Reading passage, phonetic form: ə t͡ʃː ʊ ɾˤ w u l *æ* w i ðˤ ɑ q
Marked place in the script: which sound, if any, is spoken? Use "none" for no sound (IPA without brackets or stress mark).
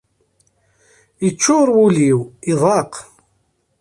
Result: i